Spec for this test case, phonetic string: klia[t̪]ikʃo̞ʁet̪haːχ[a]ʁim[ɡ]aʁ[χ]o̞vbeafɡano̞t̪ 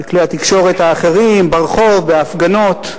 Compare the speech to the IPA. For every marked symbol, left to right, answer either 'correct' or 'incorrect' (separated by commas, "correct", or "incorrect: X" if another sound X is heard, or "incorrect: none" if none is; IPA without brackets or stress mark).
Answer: correct, incorrect: e, incorrect: b, correct